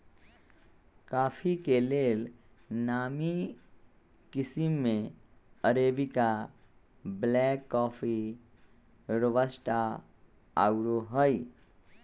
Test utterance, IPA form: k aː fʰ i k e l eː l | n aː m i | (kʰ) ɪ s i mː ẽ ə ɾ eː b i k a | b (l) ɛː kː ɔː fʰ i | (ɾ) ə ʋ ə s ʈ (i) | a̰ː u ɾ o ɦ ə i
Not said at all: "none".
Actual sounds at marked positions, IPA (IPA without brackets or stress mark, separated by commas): k, l, ɾ, a